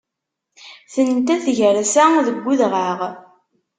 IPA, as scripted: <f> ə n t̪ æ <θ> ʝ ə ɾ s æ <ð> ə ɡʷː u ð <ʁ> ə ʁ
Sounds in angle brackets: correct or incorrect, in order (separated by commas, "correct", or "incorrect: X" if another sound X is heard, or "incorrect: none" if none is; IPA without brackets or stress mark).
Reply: incorrect: θ, correct, correct, correct